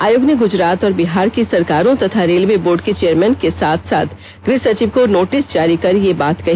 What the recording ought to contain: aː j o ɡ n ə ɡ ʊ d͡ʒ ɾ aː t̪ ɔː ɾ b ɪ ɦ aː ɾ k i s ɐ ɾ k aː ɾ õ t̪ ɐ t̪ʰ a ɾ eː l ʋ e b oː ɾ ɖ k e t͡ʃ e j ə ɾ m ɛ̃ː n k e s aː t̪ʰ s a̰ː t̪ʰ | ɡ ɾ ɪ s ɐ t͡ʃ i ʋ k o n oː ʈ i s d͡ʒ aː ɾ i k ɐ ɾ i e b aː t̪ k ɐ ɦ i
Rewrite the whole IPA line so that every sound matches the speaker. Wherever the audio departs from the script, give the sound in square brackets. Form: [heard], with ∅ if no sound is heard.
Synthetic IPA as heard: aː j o ɡ n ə ɡ ʊ d͡ʒ ɾ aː t̪ ɔː ɾ b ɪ ɦ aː ɾ k i s ɐ ɾ k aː ɾ õ t̪ ɐ t̪ʰ a ɾ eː l ʋ e b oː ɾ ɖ k e t͡ʃ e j ə ɾ m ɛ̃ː n k e s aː t̪ʰ s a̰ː t̪ʰ | ɡ ɾ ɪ s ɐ t͡ʃ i ʋ k o n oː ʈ [ɪ] s d͡ʒ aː ɾ i k ɐ ɾ [j] e b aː t̪ k ɐ ɦ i